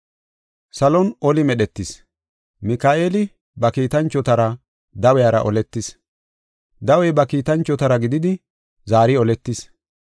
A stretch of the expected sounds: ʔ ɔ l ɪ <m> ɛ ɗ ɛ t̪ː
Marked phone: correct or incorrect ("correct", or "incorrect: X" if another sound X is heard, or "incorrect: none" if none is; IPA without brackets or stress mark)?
correct